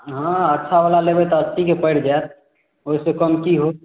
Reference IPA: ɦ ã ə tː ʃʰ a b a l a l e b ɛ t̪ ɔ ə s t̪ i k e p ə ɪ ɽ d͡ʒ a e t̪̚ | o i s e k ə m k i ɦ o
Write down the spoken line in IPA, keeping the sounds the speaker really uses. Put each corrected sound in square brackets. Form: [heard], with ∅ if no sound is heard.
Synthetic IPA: ɦ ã ə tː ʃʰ a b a l a l e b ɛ t̪ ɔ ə s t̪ i k e p ə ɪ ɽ d͡ʒ a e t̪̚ | o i s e k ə m k i ɦ o